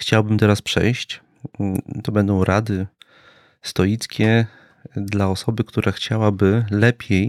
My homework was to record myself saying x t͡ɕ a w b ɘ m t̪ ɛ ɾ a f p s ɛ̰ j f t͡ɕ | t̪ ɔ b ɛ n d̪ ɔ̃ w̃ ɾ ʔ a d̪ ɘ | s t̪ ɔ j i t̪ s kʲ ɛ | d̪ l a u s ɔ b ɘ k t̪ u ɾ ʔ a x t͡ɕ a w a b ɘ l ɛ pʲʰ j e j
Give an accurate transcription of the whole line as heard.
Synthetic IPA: x t͡ɕ a w b ɘ m t̪ ɛ ɾ a s p ʂ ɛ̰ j ɕ t͡ɕ | t̪ ɔ b ɛ n d̪ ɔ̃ w̃ ɾ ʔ a d̪ ɘ | s t̪ ɔ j i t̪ s kʲ ɛ | d̪ l a ɔ s ɔ b ɘ k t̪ u ɾ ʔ a x t͡ɕ a w a b ɘ l ɛ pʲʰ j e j